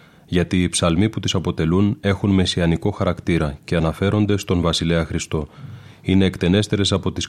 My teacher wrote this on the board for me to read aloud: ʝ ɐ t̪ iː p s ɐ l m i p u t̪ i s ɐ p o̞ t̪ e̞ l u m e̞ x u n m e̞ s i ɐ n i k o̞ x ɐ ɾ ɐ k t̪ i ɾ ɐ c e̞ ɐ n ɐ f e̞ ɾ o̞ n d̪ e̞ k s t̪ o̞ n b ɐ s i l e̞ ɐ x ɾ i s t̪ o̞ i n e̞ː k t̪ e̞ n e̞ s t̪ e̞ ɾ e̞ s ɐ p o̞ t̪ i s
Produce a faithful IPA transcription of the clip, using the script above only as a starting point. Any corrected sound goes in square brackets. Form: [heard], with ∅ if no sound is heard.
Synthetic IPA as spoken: ʝ ɐ t̪ iː p s ɐ l m i p u t̪ i s ɐ p o̞ t̪ e̞ l u [n] e̞ x u n m e̞ s i ɐ n i k o̞ x ɐ ɾ ɐ k t̪ i ɾ ɐ c e̞ ɐ n ɐ f e̞ ɾ o̞ n d̪ e̞ [∅] s t̪ o̞ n [v] ɐ s i l e̞ ɐ x ɾ i s t̪ o̞ i n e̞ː k t̪ e̞ n e̞ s t̪ e̞ ɾ e̞ s ɐ p o̞ t̪ i s